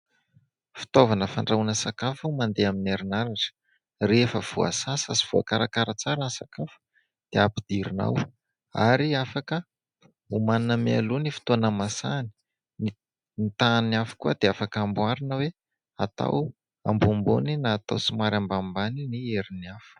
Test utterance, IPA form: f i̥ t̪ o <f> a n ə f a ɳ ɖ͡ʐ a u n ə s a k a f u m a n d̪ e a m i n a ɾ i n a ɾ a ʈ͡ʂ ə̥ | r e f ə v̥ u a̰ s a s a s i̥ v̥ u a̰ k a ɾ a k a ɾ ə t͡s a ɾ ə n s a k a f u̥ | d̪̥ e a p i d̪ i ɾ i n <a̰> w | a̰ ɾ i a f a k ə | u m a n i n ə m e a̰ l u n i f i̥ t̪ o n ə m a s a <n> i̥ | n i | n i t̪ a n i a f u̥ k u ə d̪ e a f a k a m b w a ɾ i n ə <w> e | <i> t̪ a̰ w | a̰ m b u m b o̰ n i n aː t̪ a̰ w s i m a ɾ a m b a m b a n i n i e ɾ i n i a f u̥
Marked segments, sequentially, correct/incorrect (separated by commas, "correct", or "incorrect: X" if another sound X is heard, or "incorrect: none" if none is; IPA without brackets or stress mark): incorrect: v, correct, correct, correct, incorrect: a